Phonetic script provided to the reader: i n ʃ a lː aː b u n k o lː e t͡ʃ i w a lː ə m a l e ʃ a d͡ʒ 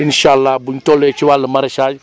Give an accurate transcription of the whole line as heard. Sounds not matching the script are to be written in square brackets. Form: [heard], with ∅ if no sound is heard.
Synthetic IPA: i n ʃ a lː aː b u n [t] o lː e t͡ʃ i w a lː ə m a [ɾ] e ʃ a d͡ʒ